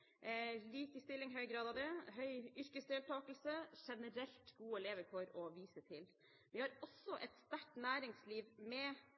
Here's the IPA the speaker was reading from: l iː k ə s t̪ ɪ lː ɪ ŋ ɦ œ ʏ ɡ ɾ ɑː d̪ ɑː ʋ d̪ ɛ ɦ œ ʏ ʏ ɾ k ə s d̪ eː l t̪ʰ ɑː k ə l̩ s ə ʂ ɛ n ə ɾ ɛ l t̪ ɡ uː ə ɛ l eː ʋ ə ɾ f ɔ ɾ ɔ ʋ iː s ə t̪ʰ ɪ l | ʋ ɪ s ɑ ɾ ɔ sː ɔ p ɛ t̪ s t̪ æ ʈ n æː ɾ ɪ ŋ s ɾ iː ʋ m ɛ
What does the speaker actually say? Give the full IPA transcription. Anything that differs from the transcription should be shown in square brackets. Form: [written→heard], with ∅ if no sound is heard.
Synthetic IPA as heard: l iː k ə s t̪ ɪ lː ɪ ŋ ɦ œ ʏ ɡ ɾ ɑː d̪ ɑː ʋ d̪ ɛ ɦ œ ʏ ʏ ɾ k ə s d̪ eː l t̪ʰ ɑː k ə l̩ s ə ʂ ɛ n ə ɾ ɛ l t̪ ɡ uː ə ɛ l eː ʋ ə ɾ f ɔ ɾ ɔ ʋ iː s ə t̪ʰ ɪ l | ʋ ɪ [s→h] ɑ ɾ ɔ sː ɔ [p→ʔ] ɛ t̪ s t̪ æ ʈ n æː ɾ ɪ ŋ s [ɾ→l] iː ʋ m ɛ